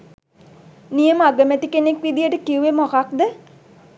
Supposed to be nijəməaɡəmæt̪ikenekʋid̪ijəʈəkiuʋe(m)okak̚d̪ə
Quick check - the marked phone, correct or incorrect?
correct